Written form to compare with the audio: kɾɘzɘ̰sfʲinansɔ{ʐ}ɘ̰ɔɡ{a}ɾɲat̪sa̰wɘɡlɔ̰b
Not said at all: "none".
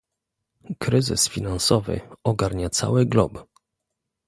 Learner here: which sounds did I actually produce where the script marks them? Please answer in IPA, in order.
v, a

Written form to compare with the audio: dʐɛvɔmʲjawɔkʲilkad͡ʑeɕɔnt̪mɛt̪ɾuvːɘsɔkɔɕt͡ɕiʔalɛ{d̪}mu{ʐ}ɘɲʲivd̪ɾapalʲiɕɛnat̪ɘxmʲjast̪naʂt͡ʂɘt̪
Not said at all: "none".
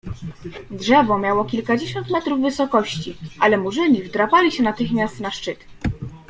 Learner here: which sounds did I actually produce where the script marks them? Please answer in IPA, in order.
none, ʐ

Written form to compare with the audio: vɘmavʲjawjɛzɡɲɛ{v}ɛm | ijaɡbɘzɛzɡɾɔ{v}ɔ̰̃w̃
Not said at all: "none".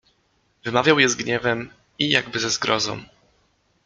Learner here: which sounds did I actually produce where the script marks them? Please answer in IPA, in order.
v, z

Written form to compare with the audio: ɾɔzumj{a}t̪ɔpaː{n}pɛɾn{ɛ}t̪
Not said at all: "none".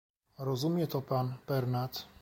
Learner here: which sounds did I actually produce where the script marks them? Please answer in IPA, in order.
ɛ, n, a

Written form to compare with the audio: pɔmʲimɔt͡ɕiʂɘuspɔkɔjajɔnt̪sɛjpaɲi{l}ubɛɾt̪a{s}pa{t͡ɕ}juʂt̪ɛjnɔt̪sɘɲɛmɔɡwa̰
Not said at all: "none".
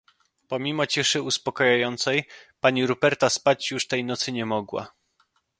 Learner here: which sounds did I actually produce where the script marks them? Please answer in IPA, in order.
ɾ, s, t͡ɕ

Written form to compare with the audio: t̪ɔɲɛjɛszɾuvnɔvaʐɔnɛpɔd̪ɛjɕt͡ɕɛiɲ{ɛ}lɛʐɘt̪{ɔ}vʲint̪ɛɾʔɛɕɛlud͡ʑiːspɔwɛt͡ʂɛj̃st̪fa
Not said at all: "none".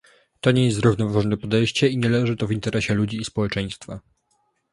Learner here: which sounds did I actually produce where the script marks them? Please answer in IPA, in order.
ɛ, ɔ

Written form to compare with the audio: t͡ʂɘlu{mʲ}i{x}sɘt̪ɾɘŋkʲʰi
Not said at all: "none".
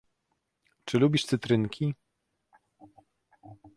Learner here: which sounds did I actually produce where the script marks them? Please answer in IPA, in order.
bʲ, ʂ

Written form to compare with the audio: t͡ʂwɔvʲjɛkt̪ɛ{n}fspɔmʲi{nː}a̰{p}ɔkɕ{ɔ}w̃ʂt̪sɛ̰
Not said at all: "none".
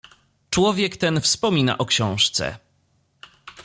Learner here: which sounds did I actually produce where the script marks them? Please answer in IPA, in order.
n, n, ʔ, ɔ̃

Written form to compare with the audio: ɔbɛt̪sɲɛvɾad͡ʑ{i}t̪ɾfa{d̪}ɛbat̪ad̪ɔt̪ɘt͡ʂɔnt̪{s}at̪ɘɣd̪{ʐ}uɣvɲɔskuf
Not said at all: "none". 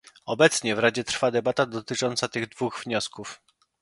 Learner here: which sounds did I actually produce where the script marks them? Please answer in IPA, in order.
ɛ, d̪, s, v

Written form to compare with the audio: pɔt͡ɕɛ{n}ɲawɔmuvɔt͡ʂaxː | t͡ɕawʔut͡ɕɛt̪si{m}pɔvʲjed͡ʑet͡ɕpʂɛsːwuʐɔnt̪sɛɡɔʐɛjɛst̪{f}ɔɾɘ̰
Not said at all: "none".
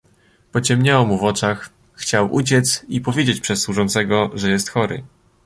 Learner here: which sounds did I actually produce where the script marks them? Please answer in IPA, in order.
m, none, x

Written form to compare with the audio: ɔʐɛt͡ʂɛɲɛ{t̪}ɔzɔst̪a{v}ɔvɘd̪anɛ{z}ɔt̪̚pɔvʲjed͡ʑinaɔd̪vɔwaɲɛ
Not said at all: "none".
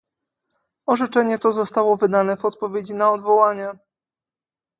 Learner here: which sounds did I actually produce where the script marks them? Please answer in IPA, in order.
t̪, w, v

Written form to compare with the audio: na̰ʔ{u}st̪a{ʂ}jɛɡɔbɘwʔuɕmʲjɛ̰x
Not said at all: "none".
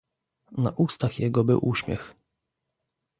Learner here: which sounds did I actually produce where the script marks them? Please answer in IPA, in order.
u, x

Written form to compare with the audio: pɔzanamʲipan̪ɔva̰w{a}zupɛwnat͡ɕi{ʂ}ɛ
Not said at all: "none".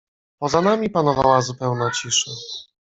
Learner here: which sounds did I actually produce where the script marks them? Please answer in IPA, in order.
a, ʂ

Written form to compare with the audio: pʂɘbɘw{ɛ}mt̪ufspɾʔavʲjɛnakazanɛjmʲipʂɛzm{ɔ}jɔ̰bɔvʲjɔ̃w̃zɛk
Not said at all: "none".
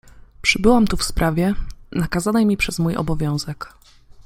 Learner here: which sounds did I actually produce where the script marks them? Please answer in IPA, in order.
a, u

